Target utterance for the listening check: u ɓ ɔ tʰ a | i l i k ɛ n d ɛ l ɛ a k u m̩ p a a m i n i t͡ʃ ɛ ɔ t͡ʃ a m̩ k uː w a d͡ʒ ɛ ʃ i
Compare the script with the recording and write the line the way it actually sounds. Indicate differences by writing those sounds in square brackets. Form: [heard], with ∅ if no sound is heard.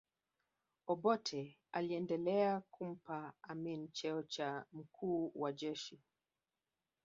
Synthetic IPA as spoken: [ɔ] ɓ ɔ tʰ [ɛ] | [a] l i [∅] ɛ n d ɛ l ɛ a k u m̩ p a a m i n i t͡ʃ ɛ ɔ t͡ʃ a m̩ k uː w a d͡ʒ ɛ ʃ i